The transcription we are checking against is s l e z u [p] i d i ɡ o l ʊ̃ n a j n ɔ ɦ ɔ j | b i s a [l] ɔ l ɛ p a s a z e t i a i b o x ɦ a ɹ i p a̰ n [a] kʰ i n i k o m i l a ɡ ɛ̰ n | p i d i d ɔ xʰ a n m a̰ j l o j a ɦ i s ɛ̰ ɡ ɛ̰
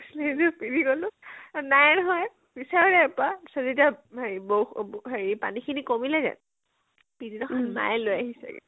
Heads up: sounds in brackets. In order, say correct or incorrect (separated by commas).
correct, incorrect, incorrect